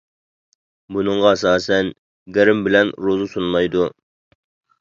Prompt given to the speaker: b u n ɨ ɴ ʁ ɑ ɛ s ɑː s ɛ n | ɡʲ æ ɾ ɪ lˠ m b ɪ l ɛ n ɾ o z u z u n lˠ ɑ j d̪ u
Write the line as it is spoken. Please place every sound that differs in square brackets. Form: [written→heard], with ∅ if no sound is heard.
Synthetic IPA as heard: b u n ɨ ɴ ʁ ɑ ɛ s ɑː s ɛ n | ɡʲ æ ɾ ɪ [lˠ→∅] m b ɪ l ɛ n ɾ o z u [z→s] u n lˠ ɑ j d̪ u